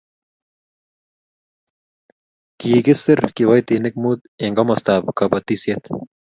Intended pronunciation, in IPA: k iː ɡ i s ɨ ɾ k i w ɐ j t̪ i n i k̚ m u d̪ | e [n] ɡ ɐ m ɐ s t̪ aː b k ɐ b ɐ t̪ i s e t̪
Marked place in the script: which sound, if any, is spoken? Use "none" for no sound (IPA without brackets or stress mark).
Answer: ŋ